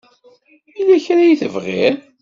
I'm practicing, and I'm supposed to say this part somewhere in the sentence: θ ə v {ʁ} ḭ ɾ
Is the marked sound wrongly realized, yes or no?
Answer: no